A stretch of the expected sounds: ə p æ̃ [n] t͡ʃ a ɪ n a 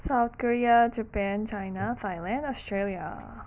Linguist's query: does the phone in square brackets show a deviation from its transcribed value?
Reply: no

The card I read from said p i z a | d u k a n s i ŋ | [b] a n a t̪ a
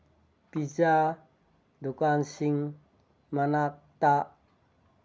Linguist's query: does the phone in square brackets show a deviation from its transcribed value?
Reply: yes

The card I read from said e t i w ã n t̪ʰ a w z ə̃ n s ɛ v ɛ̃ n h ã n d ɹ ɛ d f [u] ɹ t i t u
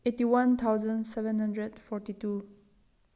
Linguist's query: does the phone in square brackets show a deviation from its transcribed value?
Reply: yes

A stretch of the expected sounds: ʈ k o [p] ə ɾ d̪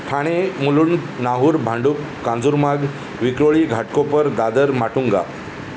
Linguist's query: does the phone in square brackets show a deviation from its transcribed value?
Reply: no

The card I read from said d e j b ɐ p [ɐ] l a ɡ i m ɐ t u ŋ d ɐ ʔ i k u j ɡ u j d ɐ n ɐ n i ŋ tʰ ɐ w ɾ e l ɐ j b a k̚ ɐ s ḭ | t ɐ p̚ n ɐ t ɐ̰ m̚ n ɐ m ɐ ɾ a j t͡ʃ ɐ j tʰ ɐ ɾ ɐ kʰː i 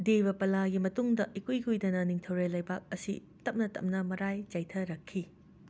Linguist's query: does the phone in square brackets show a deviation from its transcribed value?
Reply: no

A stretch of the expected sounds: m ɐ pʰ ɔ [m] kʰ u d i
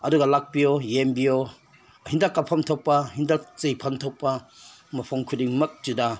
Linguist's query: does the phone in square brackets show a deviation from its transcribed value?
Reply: yes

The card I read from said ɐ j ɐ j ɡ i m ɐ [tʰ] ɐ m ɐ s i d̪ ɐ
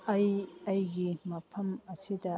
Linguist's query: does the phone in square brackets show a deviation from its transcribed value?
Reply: yes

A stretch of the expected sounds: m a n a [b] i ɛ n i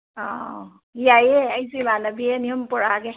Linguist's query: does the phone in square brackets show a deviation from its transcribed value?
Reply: no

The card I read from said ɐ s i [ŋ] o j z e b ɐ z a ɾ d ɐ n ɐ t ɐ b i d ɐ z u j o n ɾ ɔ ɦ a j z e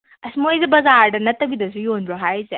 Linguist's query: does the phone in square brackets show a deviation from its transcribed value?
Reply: yes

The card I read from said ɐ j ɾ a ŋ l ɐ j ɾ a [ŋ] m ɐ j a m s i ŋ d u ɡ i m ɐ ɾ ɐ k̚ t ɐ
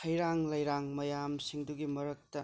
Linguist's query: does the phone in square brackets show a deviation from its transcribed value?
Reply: no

